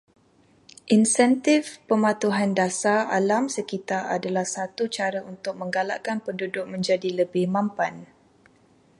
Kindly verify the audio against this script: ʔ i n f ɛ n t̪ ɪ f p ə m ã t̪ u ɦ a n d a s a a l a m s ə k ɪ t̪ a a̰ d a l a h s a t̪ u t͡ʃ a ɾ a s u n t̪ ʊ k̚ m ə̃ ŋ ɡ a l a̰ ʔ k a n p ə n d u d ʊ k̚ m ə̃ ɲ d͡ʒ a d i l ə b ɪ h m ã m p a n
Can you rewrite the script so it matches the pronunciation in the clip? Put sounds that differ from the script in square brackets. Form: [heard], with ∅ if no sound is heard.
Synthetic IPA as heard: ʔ i n [s] ɛ n t̪ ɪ f p ə m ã t̪ u ɦ a n d a s a a l a m s ə k [i] t̪ a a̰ d a l a h s a t̪ u t͡ʃ a ɾ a [∅] u n t̪ ʊ k̚ m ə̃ ŋ ɡ a l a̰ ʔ k a n p ə n d u d ʊ k̚ m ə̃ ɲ d͡ʒ a d i l ə b ɪ h m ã m p a n